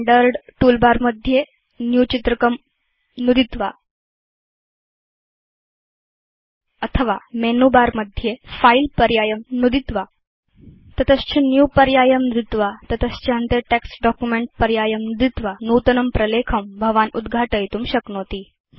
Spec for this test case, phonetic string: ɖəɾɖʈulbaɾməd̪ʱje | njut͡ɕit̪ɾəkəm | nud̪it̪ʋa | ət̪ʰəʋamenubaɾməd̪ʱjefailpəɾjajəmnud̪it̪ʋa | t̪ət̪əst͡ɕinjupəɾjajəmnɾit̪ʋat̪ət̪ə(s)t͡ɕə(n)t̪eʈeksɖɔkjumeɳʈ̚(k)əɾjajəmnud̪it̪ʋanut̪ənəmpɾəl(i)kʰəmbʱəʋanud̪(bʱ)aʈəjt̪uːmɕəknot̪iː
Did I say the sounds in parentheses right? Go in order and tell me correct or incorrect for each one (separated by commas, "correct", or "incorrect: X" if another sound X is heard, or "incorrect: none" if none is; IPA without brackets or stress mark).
correct, correct, incorrect: p, incorrect: e, incorrect: ɡʱ